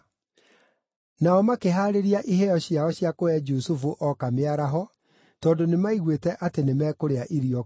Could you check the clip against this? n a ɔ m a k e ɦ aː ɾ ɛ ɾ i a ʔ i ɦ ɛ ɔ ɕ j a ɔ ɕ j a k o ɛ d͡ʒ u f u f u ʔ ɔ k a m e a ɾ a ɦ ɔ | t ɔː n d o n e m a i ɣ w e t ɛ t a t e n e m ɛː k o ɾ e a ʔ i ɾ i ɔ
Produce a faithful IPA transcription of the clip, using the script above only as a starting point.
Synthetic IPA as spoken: n a ɔ m a k e ɦ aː ɾ e ɾ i a ʔ i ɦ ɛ ɔ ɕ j a ɔ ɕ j a k o ɛ d͡ʒ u s u f u ʔ ɔ k a m e a ɾ a ɦ ɔ | t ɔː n d o n e m a i ɣ w e t ɛ ʔ a t e n e m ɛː k o ɾ e a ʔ i ɾ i ɔ

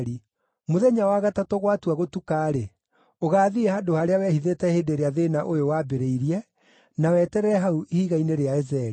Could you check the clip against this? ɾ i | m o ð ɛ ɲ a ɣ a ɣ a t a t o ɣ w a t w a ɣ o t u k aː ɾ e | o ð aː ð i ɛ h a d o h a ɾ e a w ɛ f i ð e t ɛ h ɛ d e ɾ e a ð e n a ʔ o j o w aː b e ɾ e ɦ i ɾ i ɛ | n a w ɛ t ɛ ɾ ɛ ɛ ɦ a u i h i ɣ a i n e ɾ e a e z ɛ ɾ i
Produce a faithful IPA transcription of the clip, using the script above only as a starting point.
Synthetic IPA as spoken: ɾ i | m o ð ɛ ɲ a w a ɣ a t a t o ɣ w a t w a ɣ o t u k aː ɾ e | o ɣ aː ð i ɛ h a d o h a ɾ e a w ɛ h i ð e t ɛ h e d e ɾ e a ð e n a ʔ o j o w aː b e ɾ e i ɾ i ɛ | n a w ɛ t ɛ ɾ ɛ ɛ ɦ a u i h i ɣ a i n e ɾ e a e z ɛ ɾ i

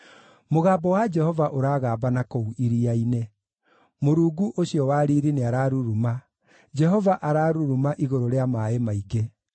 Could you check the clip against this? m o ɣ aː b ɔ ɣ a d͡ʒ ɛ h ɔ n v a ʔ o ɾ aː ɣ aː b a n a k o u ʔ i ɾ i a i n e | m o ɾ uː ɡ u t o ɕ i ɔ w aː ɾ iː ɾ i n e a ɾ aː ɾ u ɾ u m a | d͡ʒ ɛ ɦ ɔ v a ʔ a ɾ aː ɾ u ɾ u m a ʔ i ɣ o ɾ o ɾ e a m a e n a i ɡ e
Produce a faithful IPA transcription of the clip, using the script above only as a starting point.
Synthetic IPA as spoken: m o ɣ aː b ɔ w a d͡ʒ ɛ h ɔ v a ʔ o ɾ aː ɣ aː b a n a k o u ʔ i ɾ i a i n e | m o ɾ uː ɡ u ʔ o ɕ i ɔ w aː ɾ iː ɾ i n e a ɾ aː ɾ u ɾ u m a | d͡ʒ ɛ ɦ ɔ v a ʔ a ɾ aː ɾ u ɾ u m a ʔ i ɣ o ɾ o ɾ e a m a e m a i ɡ e

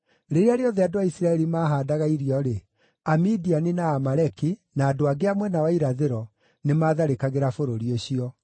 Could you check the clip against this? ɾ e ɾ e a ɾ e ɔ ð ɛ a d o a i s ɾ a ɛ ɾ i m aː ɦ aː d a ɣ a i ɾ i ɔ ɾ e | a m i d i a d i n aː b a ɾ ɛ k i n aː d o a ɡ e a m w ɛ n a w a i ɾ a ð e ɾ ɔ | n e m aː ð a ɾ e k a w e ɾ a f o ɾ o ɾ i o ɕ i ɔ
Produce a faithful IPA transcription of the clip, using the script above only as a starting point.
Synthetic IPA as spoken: ɾ e ɾ e a ɾ e ɔ ð ɛ a d o a i s ɾ a ɛ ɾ i m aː ɦ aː d a ɣ a i ɾ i ɔ ɾ e | a m i d i a n i n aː m a ɾ ɛ k i n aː d o a ɡ e a m w ɛ n a w a i ɾ a ð e ɾ ɔ | n e m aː ð a ɾ e k a ɣ e ɾ a f o ɾ o ɾ i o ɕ i ɔ

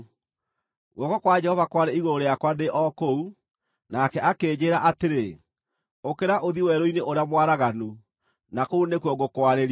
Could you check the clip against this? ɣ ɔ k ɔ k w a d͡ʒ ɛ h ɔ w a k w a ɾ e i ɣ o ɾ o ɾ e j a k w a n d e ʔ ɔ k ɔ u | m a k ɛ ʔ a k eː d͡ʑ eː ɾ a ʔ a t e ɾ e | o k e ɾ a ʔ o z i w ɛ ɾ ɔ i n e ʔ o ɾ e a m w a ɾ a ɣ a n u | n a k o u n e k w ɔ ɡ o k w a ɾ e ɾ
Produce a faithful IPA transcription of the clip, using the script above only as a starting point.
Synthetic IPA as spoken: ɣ ɔ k ɔ k w a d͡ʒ ɛ h ɔ v a k w a ɾ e i ɣ o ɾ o ɾ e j a k w a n d e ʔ ɔ k o u | n a k ɛ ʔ a k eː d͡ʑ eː ɾ a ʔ a t e ɾ e | o k e ɾ a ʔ o ð i w ɛ ɾ o i n e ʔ o ɾ e a m w a ɾ a ɣ a n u | n a k o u n e k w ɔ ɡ o k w a ɾ e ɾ

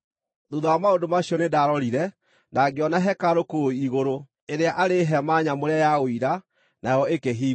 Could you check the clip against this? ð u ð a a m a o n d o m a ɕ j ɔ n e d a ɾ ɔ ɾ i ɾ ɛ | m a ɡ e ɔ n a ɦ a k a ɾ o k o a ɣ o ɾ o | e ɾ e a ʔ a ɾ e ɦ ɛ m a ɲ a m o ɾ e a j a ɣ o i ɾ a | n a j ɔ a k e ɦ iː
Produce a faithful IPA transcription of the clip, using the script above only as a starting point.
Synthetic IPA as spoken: ð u ð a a m a o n d o m a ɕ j ɔ n e d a ɾ ɔ ɾ i ɾ ɛ | n a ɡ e ɔ n a ɦ ɛ k a ɾ o k o i ɣ o ɾ o | e ɾ e a ʔ a ɾ e ɦ ɛ m a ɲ a m o ɾ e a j a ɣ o i ɾ a | n a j ɔ e k e ɦ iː

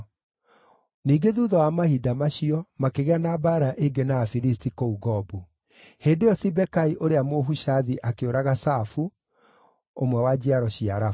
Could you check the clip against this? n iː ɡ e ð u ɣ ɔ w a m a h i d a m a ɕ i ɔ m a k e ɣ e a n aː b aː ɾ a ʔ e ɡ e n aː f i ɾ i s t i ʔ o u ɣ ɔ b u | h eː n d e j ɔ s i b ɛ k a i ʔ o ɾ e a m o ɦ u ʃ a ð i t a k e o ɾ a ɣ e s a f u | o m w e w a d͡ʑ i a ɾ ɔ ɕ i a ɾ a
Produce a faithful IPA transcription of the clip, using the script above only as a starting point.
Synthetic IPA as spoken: n iː ɡ e ð u ð ɔ w a m a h i d a m a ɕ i ɔ m a k e ɣ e a n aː b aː ɾ a ʔ e ɡ e n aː f i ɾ i s t i k o u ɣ ɔ b u | h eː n d e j ɔ s i b ɛ k a i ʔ o ɾ e a m o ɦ u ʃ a ð i ʔ a k e o ɾ a ɣ a s a f u | o m w ɛ w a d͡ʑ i a ɾ ɔ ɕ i a ɾ a

